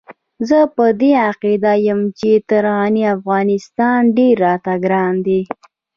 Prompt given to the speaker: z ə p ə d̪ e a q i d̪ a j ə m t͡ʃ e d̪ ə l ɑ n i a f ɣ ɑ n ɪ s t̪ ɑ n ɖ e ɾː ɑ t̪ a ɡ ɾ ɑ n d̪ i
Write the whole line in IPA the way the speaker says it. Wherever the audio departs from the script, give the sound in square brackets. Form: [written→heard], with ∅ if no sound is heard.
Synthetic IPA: z ə p ə d̪ e a q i d̪ a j ə m t͡ʃ e [d̪→t̪] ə [l→ɾ] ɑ n i a f ɣ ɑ n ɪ s t̪ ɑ n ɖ e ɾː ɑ t̪ a ɡ ɾ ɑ n d̪ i